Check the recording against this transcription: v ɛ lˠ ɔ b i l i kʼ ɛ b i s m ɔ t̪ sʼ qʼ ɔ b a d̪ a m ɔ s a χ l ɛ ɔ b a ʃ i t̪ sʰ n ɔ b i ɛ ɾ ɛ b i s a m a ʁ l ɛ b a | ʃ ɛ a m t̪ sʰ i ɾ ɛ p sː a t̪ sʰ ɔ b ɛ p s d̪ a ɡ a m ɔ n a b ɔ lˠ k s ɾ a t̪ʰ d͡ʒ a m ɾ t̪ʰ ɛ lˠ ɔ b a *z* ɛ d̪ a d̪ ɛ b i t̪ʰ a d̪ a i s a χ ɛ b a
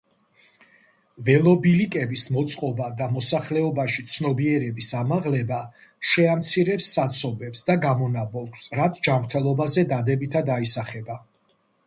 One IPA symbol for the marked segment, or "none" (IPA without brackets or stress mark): z